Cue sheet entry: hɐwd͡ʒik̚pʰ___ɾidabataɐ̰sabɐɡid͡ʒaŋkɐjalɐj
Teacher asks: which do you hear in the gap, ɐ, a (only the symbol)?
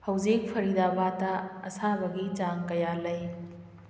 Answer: ɐ